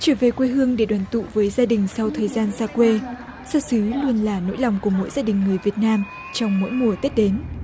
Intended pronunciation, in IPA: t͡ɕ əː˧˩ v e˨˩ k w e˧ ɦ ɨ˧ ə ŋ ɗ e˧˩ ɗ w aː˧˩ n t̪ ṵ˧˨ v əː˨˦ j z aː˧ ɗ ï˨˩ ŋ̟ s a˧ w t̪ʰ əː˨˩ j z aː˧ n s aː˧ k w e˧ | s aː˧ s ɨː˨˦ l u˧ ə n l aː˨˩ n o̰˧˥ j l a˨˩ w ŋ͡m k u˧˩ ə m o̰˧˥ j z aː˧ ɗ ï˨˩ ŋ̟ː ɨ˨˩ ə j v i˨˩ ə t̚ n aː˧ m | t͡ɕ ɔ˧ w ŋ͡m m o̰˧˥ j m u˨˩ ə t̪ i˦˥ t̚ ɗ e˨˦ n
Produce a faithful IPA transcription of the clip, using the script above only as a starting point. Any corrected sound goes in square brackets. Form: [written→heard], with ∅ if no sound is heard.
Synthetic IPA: t͡ɕ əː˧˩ v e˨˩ k w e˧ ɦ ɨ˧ ə ŋ ɗ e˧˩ ɗ w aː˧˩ n t̪ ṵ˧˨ v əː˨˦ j z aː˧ ɗ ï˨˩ ŋ̟ s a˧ w t̪ʰ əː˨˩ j z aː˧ n s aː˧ k w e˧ | s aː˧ s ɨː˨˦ l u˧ ə n l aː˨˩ n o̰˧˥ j l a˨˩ w ŋ͡m k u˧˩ ə m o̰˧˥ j z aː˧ ɗ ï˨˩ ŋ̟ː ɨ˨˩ ə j v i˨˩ ə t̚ n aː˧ m | t͡ɕ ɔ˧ w ŋ͡m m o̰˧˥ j m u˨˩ ə t̪ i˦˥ t̚ ɗ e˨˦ n

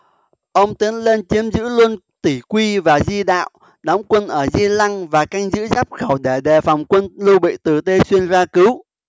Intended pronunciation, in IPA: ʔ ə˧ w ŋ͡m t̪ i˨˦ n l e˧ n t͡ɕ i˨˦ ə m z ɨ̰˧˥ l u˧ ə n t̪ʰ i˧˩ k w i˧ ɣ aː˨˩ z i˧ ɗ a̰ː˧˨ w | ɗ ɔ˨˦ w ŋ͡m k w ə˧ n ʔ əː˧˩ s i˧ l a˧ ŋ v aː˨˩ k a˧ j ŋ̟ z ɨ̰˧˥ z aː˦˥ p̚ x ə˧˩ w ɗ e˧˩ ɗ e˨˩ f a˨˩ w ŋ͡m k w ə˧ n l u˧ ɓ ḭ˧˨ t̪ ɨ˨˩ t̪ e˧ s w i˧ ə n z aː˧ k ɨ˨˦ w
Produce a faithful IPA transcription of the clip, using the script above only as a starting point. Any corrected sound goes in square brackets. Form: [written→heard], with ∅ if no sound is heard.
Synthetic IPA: ʔ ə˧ w ŋ͡m t̪ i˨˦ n l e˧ n t͡ɕ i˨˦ ə m z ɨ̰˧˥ l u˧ ə n [t̪ʰ→t̪] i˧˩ k w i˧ [ɣ→v] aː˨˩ z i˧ ɗ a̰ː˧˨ w | ɗ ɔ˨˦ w ŋ͡m k w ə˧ n ʔ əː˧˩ [s→z] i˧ l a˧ ŋ v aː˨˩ k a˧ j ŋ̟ z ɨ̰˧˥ z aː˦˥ p̚ x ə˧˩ w ɗ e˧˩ ɗ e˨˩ f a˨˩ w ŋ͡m k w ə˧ n l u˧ ɓ ḭ˧˨ t̪ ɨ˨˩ t̪ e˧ s w i˧ ə n z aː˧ k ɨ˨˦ w

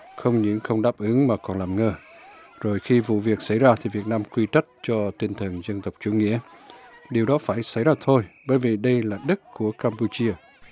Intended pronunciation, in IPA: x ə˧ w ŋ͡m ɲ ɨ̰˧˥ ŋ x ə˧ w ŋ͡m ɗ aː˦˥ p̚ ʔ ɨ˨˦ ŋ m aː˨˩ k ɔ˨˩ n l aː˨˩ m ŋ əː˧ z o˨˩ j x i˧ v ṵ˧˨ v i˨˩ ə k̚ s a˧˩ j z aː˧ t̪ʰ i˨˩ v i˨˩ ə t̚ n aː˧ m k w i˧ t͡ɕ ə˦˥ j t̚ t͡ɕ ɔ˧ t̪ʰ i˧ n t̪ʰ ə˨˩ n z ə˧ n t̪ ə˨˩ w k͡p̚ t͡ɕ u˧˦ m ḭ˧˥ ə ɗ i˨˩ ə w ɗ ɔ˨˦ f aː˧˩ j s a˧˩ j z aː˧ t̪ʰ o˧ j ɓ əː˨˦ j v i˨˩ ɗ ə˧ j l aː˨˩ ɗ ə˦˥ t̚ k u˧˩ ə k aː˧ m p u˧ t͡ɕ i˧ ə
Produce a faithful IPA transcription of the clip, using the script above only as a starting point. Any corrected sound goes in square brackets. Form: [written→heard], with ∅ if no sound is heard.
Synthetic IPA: x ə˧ w ŋ͡m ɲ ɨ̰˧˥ ŋ x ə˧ w ŋ͡m ɗ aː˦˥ p̚ ʔ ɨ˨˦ ŋ m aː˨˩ k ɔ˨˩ n l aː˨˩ m ŋ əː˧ z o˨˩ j x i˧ v ṵ˧˨ v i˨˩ ə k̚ s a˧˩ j z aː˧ t̪ʰ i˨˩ v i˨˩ ə t̚ n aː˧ m k w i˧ t͡ɕ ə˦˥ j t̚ t͡ɕ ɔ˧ [t̪ʰ→t̪] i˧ n t̪ʰ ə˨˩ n z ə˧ n t̪ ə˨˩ w k͡p̚ t͡ɕ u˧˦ [m→ŋ] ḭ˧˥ ə ɗ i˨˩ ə w ɗ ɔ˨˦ f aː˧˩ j s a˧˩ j z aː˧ t̪ʰ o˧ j ɓ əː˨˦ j v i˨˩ ɗ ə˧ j l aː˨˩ ɗ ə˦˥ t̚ k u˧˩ ə k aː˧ m p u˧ t͡ɕ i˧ ə

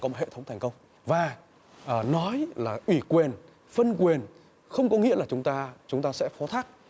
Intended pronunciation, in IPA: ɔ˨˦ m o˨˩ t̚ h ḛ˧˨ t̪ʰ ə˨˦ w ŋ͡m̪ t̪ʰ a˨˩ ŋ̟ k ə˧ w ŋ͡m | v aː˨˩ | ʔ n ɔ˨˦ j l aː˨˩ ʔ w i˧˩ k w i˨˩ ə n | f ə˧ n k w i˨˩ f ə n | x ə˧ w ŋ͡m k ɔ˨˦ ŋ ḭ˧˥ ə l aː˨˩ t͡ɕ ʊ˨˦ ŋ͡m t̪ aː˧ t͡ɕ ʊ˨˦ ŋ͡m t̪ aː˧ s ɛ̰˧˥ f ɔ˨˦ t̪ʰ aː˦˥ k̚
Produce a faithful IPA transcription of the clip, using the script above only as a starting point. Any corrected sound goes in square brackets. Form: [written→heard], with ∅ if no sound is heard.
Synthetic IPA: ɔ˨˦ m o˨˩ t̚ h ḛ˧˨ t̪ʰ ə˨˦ w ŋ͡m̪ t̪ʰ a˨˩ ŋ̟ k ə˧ w ŋ͡m | v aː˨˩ | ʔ n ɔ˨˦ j l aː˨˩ ʔ w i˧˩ k w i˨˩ ə n | f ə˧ n k w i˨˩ [f→∅] ə n | x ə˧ w ŋ͡m k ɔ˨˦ ŋ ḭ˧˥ ə l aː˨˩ t͡ɕ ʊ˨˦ ŋ͡m t̪ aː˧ t͡ɕ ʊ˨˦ ŋ͡m t̪ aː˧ s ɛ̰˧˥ f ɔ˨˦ t̪ʰ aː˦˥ k̚

